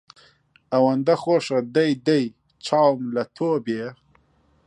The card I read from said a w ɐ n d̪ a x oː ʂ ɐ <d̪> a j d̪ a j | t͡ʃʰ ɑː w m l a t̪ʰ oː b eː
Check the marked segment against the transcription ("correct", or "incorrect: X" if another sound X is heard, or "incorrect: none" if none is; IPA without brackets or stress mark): correct